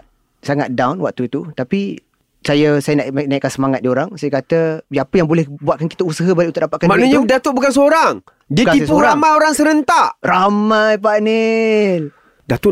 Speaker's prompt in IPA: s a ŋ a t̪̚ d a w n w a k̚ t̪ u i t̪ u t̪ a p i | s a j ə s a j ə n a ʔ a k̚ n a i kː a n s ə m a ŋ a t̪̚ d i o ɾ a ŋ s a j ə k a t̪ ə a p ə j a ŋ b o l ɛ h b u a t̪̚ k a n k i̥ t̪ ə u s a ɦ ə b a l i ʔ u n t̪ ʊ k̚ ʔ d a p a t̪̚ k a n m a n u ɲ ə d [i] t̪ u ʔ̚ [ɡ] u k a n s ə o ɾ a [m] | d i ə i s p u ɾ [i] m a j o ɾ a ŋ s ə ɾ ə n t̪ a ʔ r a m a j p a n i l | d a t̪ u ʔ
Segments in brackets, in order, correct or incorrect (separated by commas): incorrect, incorrect, incorrect, incorrect